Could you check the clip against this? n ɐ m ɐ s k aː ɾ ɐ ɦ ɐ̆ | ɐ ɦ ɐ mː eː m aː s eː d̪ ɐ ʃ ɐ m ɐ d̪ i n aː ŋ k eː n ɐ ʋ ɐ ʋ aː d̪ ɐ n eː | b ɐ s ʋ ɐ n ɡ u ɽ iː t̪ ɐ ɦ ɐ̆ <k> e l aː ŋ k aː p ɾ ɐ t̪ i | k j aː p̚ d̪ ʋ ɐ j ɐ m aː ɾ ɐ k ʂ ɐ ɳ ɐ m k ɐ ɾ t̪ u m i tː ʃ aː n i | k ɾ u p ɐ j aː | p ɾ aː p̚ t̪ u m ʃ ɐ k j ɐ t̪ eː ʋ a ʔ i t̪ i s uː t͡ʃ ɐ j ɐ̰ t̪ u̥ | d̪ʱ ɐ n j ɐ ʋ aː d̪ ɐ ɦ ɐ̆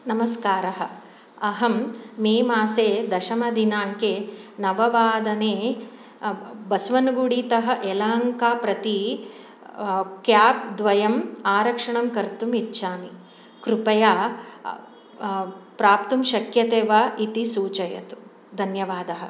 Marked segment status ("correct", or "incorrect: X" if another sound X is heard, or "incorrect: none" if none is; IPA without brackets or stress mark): incorrect: ʔ